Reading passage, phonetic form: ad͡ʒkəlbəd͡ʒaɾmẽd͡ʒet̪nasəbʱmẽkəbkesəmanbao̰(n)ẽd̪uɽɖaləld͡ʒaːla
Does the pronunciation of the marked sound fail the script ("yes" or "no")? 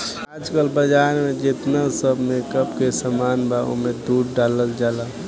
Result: yes